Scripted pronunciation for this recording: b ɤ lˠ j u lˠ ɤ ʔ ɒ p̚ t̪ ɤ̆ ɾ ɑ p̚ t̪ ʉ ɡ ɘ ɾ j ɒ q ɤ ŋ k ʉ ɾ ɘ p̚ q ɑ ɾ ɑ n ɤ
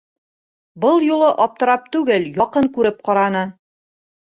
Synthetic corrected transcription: b ɤ lˠ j u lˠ ɤ ʔ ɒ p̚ t̪ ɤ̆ ɾ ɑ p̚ t̪ ʉ ɡ ɘ l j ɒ q ɤ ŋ k ʉ ɾ ɘ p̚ q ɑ ɾ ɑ n ɤ